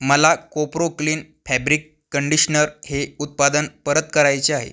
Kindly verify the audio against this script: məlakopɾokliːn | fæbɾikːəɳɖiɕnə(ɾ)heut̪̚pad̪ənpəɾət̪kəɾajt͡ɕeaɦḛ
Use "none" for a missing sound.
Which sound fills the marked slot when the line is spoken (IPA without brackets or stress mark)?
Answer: ɾ